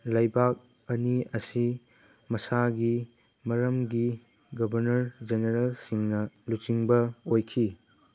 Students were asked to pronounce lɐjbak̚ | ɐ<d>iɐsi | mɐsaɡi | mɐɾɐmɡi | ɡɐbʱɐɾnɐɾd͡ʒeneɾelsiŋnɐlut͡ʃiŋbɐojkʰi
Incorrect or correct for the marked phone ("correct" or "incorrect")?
incorrect